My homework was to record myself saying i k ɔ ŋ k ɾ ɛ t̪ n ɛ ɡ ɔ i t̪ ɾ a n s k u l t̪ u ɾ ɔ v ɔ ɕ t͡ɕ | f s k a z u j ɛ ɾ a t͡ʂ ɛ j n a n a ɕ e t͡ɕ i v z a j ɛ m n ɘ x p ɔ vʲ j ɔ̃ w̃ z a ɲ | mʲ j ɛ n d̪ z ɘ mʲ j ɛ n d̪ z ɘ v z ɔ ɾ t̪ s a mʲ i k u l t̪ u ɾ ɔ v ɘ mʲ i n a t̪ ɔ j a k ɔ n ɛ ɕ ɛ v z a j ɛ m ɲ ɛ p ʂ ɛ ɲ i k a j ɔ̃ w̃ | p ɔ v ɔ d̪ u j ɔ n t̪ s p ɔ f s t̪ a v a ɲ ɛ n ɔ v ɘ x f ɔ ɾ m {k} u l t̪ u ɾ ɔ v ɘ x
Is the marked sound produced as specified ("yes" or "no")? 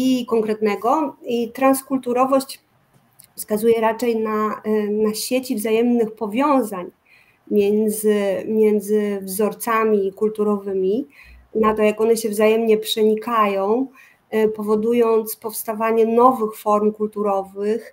yes